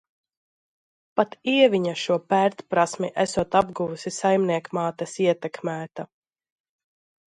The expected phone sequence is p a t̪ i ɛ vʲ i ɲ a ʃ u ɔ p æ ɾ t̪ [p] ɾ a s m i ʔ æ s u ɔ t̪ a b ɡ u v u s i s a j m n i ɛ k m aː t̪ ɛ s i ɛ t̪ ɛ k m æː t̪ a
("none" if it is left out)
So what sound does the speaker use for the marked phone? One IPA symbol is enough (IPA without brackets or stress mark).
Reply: p